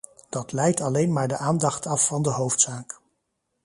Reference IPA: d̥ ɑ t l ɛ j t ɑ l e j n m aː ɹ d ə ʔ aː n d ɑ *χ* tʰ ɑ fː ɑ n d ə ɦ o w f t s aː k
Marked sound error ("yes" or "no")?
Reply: no